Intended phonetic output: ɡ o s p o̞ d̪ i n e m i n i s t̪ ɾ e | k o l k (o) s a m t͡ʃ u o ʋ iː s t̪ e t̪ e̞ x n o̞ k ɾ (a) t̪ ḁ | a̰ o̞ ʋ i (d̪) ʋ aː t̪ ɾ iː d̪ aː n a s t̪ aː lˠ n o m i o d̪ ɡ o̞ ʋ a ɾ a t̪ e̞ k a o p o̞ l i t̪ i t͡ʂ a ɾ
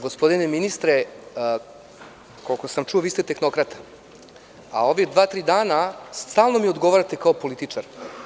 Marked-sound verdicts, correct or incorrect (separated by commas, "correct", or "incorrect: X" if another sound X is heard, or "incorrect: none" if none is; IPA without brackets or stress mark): correct, correct, correct